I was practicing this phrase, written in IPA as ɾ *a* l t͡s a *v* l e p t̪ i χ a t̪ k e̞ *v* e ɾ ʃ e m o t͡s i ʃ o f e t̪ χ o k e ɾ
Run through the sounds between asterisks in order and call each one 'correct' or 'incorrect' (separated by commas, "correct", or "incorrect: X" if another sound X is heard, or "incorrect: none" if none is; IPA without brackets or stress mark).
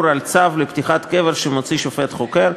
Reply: correct, correct, correct